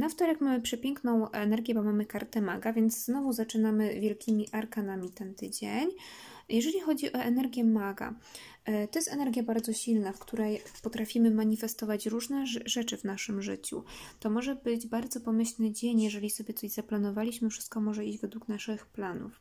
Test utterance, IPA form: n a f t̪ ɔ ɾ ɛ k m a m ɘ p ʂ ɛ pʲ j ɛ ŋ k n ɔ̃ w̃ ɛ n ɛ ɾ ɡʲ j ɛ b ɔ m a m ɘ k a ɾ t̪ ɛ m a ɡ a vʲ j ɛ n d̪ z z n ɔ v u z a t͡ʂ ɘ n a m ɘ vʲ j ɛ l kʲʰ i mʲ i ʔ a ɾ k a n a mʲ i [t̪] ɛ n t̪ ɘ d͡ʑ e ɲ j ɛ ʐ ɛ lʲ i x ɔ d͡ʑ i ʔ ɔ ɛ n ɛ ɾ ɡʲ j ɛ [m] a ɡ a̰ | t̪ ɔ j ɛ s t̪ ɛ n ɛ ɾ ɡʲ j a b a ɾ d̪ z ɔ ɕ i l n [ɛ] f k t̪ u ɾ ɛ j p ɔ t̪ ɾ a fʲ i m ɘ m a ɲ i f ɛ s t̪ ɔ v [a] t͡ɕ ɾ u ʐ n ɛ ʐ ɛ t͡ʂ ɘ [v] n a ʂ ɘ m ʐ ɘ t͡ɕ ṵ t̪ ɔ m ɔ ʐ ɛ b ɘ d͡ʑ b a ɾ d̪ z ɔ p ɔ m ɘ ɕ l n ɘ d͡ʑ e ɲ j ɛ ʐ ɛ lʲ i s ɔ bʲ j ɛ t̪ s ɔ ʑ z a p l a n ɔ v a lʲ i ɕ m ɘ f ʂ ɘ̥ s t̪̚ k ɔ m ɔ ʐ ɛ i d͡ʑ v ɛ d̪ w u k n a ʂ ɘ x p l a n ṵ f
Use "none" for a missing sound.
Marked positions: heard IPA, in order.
t̪, m, a, a, v

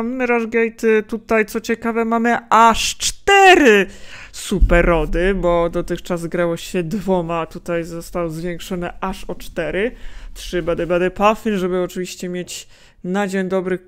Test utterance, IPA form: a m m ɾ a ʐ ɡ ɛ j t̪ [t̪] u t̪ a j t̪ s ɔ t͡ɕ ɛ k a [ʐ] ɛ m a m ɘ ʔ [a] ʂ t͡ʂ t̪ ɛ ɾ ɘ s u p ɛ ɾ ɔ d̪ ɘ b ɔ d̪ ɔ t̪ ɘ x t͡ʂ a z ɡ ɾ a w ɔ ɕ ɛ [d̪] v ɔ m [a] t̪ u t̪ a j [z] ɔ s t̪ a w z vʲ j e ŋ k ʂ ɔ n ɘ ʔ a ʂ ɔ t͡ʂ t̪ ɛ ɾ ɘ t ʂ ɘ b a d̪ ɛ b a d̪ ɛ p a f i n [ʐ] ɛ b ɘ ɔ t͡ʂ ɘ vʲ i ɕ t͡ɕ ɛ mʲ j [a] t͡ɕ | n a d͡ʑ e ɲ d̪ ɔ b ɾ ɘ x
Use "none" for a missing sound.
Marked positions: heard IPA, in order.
t̪, v, a, d̪, a, z, ʐ, e

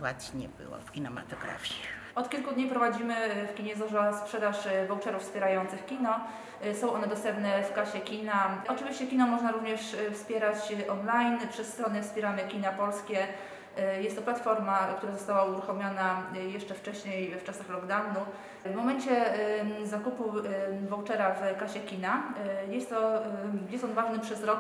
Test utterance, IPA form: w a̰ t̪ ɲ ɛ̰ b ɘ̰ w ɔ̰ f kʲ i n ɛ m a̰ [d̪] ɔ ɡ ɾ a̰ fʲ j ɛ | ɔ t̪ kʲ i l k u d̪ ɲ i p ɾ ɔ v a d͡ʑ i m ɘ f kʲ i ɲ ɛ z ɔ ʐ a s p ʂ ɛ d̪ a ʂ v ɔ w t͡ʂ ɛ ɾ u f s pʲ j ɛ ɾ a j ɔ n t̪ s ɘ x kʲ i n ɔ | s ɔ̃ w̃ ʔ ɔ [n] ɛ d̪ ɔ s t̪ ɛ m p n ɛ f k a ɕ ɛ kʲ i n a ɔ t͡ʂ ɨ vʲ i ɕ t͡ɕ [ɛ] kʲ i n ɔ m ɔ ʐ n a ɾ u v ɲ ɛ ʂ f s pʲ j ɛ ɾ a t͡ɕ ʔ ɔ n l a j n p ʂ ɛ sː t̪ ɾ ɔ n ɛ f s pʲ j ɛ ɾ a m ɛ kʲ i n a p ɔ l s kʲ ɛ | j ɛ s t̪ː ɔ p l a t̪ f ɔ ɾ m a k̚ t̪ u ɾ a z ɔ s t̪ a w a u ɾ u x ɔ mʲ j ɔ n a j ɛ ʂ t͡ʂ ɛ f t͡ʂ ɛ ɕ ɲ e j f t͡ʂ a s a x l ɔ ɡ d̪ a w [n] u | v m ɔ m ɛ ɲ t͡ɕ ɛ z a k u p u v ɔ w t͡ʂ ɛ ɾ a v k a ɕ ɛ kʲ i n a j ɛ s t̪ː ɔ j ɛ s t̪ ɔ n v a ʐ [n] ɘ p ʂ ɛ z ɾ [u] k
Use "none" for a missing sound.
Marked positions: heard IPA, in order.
t̪, n, ɛ, n, n, ɔ

